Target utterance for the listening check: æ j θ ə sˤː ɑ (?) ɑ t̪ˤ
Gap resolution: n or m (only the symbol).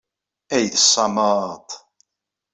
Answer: m